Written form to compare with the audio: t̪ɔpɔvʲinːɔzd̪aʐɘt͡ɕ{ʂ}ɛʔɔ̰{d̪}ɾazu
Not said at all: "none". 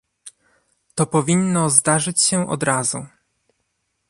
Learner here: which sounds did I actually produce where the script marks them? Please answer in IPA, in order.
ɕ, d̪

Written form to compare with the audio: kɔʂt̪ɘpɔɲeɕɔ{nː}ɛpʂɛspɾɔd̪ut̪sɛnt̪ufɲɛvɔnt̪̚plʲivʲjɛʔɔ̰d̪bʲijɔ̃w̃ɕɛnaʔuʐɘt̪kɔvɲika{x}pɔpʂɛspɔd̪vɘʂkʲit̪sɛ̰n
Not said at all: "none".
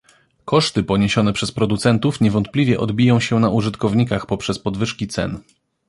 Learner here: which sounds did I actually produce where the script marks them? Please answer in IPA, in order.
n, x

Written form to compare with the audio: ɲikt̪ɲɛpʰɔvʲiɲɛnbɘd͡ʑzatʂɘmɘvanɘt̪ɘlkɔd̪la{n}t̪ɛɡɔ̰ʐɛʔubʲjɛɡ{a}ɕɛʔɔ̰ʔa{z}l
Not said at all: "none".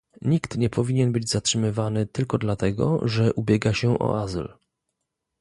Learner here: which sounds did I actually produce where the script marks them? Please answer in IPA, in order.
none, a, z

